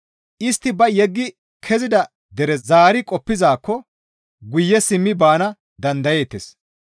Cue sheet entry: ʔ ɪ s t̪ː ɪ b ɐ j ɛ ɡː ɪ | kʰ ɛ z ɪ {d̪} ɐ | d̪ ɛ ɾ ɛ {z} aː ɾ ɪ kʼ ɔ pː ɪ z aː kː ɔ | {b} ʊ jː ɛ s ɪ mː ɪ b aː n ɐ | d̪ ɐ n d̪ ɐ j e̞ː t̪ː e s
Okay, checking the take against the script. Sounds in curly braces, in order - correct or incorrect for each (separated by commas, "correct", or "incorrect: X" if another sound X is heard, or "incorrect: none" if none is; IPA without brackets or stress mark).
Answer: correct, correct, incorrect: ɡ